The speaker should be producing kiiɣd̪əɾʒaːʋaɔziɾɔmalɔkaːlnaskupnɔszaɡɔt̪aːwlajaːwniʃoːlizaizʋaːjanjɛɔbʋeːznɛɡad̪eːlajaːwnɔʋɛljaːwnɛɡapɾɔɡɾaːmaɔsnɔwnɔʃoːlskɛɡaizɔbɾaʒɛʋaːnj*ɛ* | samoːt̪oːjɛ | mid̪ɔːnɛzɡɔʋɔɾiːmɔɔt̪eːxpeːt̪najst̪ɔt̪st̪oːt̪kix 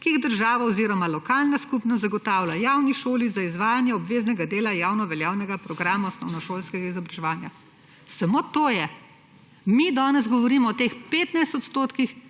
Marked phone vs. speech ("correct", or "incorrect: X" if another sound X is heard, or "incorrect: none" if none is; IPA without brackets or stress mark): incorrect: a